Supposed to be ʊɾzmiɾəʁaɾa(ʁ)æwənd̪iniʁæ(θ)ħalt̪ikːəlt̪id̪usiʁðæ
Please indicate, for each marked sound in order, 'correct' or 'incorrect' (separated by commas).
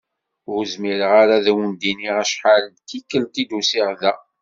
incorrect, incorrect